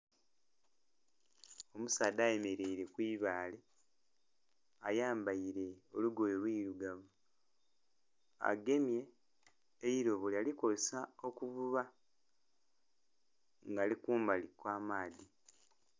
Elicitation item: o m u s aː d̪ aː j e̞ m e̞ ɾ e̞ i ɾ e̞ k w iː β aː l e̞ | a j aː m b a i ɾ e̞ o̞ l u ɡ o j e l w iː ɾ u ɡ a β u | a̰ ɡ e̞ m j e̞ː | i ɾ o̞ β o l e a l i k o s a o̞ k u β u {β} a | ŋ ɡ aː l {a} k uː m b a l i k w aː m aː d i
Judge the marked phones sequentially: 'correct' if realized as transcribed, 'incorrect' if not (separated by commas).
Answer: correct, incorrect